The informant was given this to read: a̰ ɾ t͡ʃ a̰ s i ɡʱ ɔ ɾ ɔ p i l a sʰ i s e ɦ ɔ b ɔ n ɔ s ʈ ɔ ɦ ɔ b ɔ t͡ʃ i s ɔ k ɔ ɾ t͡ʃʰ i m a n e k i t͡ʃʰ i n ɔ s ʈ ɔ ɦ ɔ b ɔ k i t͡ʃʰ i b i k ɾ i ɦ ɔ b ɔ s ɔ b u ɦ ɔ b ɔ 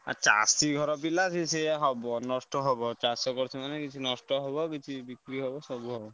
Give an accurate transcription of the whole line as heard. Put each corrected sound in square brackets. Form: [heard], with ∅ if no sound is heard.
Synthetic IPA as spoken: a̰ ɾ t͡ʃ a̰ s i ɡʱ ɔ ɾ ɔ p i l a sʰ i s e ɦ ɔ b ɔ n ɔ s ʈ ɔ ɦ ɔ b ɔ t͡ʃ [a] s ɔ k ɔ ɾ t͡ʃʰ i m a n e k i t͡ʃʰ i n ɔ s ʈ ɔ ɦ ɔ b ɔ k i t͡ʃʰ i b i k ɾ i ɦ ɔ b ɔ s ɔ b u ɦ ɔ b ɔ